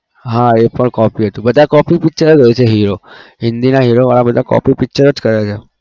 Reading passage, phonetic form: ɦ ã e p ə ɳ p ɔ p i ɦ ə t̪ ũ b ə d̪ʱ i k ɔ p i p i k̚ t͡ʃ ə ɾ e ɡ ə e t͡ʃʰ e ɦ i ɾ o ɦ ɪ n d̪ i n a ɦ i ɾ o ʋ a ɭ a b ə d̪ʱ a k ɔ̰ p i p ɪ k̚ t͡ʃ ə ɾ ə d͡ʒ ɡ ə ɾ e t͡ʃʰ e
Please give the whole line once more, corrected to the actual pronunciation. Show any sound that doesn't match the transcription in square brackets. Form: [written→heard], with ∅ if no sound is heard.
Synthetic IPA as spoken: ɦ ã e p ə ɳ [p→k] ɔ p i ɦ ə t̪ ũ b ə d̪ʱ [i→a] k ɔ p i p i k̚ t͡ʃ ə ɾ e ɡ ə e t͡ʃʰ e ɦ i ɾ o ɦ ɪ n d̪ i n a ɦ i ɾ o ʋ a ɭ a b ə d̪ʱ a k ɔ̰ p i p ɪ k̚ t͡ʃ ə ɾ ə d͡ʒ [ɡ→k] ə ɾ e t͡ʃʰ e